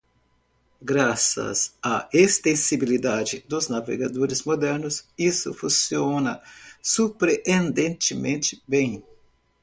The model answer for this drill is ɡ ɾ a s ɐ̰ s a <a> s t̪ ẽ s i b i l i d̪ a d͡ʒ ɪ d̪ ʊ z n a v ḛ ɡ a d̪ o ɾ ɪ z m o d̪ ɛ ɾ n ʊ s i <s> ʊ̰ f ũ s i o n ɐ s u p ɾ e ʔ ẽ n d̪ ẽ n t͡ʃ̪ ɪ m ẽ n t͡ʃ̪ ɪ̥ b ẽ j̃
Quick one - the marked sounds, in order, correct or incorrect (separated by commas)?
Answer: incorrect, correct